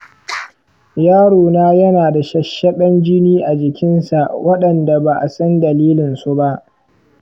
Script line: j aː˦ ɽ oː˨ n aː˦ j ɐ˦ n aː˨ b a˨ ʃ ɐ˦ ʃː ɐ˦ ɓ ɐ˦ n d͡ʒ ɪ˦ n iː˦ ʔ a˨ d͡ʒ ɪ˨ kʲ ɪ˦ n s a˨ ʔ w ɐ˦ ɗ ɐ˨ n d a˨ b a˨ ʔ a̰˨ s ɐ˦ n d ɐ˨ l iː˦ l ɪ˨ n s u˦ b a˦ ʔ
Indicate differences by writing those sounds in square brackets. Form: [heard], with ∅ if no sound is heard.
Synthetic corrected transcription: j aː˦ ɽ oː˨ n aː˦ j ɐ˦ n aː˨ [d] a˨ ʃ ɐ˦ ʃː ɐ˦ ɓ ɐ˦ n d͡ʒ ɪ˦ n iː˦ ʔ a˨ d͡ʒ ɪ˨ kʲ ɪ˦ n s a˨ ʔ w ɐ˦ ɗ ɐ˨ n d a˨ b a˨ ʔ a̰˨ s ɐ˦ n d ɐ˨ l iː˦ l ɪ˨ n s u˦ b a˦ ʔ